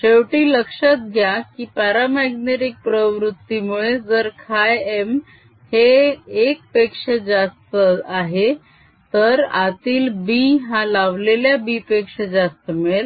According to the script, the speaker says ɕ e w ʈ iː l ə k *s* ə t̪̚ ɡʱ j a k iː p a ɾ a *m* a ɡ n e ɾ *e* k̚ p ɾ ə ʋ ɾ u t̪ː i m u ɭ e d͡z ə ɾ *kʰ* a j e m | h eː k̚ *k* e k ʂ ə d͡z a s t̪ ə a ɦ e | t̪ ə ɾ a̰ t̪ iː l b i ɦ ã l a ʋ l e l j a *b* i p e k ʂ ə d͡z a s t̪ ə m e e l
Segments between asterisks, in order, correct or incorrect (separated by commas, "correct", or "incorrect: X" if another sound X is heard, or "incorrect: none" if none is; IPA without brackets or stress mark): incorrect: ʂ, correct, incorrect: i, correct, incorrect: p, correct